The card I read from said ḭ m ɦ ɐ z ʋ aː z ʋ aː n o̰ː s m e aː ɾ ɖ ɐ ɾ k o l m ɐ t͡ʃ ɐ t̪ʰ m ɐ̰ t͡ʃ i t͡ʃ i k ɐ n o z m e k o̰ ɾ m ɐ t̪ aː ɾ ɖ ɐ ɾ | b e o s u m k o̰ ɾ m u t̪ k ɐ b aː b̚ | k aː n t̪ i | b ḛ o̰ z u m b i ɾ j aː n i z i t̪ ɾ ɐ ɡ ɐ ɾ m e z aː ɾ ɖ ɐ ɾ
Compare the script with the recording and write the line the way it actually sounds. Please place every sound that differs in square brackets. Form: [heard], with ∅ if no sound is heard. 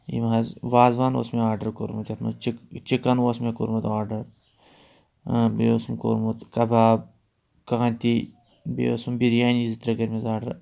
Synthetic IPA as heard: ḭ m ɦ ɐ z ʋ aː z ʋ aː n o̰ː s m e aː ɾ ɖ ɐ ɾ k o [ɾ] m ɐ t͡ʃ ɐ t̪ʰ m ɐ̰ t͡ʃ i t͡ʃ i k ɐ n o [s] m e k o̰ ɾ m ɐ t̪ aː ɾ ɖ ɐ ɾ | b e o s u m k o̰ ɾ m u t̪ k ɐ b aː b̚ | k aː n t̪ i | b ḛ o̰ [s] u m b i ɾ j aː n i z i t̪ ɾ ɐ ɡ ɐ ɾ m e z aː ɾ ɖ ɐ ɾ